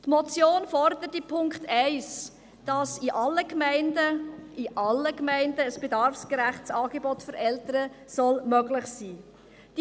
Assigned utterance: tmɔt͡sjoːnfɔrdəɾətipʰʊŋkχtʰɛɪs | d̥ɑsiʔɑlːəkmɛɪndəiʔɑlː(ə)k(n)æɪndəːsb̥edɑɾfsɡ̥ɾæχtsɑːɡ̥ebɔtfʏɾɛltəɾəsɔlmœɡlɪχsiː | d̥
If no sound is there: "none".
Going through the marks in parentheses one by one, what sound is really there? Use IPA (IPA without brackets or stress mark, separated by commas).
ə, m